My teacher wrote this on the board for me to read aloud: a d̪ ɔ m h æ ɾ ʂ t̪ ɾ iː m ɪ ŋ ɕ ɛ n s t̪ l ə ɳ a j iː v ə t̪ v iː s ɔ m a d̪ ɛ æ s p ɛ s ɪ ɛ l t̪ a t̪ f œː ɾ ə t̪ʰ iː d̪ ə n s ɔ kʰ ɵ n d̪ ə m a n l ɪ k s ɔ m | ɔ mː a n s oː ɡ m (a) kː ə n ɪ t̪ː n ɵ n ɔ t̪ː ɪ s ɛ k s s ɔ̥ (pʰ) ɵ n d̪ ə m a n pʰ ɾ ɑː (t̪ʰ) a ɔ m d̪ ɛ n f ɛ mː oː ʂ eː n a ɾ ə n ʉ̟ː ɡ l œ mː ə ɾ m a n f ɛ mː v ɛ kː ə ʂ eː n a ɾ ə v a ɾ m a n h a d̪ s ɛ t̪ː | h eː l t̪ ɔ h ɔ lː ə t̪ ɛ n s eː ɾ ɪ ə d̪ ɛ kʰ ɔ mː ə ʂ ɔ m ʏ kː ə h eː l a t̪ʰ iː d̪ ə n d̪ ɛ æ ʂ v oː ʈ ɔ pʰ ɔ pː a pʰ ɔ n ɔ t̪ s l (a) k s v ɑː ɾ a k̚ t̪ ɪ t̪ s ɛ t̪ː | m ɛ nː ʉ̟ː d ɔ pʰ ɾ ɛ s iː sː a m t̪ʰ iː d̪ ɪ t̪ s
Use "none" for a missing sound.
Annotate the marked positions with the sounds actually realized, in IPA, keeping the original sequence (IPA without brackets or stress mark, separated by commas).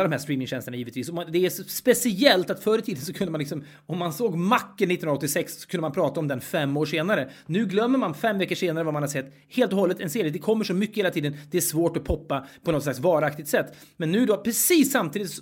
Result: a, kʰ, t̪, a